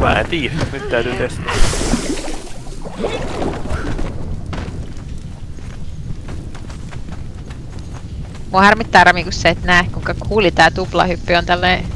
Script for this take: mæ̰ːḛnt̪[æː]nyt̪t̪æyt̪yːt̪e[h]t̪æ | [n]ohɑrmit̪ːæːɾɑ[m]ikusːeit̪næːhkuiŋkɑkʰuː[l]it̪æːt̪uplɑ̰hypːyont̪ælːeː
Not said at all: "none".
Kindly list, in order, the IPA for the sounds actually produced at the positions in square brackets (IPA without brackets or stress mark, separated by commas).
iː, s, m, m, l